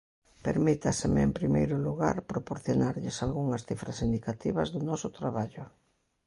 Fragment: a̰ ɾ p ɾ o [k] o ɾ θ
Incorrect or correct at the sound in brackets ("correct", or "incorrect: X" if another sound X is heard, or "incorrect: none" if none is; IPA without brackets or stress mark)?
incorrect: p